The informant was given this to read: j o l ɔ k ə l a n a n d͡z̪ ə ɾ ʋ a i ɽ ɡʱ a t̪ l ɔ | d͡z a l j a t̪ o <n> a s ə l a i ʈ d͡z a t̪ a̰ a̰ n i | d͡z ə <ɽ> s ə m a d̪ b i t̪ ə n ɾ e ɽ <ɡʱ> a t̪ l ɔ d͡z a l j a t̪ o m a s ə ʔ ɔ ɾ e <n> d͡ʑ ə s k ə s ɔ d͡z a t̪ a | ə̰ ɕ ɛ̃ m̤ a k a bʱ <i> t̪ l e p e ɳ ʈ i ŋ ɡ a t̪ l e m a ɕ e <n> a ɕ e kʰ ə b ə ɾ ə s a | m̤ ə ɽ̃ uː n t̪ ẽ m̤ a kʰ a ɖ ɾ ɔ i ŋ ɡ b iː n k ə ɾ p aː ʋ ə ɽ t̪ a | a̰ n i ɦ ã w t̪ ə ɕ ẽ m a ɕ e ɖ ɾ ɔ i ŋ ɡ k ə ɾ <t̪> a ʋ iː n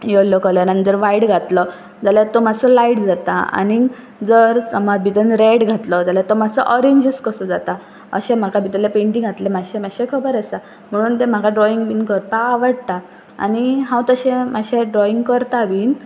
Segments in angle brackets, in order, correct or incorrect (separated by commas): incorrect, incorrect, correct, incorrect, correct, incorrect, correct